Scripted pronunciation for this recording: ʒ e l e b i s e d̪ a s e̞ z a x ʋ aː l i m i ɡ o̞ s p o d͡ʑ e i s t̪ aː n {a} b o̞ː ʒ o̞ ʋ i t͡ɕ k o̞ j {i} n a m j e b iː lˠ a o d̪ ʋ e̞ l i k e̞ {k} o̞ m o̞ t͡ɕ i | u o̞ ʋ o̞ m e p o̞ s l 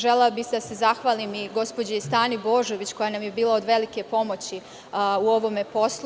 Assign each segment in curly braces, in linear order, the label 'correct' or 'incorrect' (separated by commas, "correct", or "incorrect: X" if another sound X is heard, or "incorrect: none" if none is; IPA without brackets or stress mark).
incorrect: i, incorrect: a, incorrect: p